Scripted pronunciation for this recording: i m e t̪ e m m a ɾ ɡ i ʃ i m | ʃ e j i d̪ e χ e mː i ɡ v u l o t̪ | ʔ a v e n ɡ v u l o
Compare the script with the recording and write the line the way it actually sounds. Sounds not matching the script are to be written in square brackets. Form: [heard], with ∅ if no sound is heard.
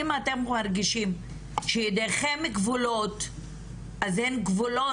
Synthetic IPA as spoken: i m [a] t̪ e m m a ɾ ɡ i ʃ i m | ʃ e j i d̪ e χ e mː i ɡ v u l o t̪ | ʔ a [z] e n ɡ v u l o